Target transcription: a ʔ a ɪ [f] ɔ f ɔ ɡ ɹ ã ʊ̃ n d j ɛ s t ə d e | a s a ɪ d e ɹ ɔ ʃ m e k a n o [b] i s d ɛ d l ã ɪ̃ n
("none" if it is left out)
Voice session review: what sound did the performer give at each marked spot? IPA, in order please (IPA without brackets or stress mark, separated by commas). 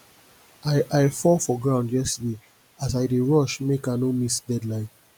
f, m